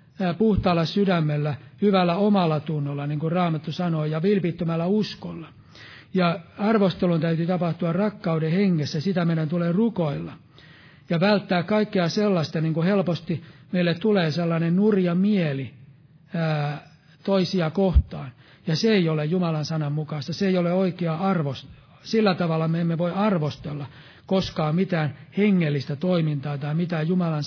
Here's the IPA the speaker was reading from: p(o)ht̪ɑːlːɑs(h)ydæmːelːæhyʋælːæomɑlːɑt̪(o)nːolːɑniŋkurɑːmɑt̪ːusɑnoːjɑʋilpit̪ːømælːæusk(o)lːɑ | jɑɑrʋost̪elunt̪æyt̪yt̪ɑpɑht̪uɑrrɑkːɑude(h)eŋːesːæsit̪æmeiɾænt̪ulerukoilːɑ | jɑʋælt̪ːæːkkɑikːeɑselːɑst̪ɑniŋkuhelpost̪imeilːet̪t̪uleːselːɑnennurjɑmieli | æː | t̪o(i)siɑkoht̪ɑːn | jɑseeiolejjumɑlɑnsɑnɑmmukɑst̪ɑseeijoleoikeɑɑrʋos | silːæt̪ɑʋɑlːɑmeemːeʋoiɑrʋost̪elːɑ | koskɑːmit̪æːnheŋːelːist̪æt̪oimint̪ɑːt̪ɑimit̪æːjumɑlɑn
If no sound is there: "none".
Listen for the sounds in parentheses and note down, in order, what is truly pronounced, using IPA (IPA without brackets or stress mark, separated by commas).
u, s, u, o, h, i